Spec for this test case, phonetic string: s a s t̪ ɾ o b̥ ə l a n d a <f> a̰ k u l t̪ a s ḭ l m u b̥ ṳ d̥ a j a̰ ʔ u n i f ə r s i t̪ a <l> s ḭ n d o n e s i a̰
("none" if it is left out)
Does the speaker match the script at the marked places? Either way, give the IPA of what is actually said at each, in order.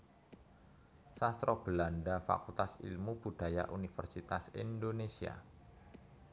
f, none

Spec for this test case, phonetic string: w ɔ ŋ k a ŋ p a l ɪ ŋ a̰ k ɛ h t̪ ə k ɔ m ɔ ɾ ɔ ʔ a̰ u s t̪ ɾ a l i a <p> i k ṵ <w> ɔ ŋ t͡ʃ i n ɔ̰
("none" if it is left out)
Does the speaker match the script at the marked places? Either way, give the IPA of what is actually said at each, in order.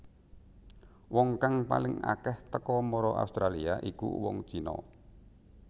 ʔ, w

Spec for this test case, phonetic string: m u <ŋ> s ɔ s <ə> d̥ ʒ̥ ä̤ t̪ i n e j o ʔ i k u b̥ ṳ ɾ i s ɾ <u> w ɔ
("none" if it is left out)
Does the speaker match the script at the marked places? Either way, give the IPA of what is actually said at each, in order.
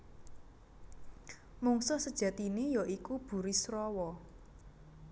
ŋ, ə, ɔ

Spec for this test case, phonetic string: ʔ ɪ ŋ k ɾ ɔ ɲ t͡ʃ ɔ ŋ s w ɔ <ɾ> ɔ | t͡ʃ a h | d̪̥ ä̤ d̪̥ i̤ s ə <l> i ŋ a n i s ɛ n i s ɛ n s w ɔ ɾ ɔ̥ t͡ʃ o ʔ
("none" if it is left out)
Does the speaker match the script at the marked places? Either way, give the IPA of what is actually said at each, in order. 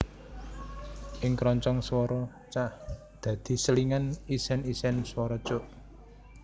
ɾ, l

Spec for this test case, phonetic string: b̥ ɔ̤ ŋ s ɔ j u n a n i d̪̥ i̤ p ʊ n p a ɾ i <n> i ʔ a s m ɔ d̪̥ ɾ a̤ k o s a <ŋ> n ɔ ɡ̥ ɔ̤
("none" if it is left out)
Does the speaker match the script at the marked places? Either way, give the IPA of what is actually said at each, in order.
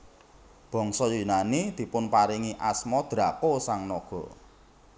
ŋ, ŋ

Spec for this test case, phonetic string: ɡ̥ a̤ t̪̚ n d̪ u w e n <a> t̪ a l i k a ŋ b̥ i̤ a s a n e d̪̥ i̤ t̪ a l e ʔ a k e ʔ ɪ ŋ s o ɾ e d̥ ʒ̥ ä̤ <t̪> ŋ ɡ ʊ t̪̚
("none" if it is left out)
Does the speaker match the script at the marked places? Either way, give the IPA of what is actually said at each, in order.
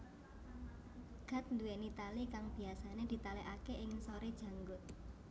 i, none

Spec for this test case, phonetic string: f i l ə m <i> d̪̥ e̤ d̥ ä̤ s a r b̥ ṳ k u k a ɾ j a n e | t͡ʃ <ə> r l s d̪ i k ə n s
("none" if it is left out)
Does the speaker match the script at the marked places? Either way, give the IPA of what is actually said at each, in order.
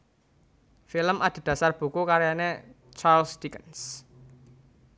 a, a

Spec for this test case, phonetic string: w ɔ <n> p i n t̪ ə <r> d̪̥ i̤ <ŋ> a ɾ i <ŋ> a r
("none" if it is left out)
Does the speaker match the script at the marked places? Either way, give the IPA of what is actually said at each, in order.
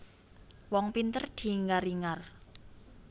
ŋ, r, ŋ, ŋ

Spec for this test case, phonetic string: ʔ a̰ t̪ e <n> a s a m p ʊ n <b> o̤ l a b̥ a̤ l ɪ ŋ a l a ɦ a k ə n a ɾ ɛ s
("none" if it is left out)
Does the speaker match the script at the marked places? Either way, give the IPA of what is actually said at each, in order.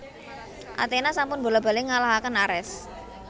n, b

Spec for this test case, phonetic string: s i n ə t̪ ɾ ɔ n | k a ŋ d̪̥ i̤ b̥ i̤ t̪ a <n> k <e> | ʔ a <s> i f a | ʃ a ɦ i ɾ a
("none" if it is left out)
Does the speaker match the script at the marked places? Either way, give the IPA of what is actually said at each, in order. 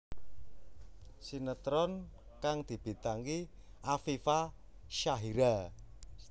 ŋ, i, f

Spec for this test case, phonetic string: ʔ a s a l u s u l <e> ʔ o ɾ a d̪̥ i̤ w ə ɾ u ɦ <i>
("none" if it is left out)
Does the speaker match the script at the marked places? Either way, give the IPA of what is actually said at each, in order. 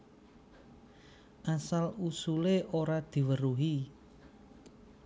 e, i

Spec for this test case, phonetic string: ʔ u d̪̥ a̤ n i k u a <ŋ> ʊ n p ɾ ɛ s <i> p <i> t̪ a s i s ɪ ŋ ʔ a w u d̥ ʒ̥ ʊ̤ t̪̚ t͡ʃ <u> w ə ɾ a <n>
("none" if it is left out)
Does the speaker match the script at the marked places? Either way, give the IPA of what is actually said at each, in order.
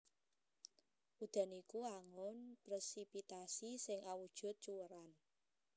ŋ, i, i, u, n

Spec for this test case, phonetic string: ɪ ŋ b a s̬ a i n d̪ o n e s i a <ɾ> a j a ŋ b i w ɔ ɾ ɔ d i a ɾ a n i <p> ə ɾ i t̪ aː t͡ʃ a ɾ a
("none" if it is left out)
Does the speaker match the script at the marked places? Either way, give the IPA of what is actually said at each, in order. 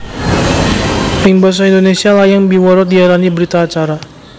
l, b

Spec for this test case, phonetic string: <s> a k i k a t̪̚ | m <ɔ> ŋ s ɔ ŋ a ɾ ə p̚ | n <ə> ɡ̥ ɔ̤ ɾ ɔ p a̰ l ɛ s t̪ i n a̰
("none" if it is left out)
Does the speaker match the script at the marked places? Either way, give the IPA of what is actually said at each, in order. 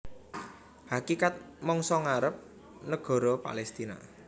h, ɔ, ə

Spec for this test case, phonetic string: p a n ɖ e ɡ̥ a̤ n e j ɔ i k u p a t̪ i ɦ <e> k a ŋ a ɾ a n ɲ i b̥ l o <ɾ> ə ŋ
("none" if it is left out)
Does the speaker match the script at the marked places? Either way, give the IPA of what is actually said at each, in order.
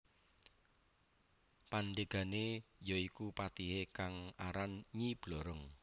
e, ɾ

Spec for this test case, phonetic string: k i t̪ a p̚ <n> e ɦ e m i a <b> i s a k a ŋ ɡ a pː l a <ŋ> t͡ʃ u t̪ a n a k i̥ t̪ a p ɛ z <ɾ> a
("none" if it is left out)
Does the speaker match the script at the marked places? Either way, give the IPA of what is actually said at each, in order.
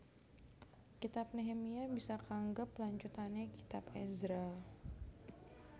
n, b, ɲ, ɾ

